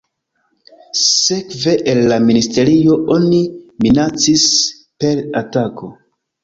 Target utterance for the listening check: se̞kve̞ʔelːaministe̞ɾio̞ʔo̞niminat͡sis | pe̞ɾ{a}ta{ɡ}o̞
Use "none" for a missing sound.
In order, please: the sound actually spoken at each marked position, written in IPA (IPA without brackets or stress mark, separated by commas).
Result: a, k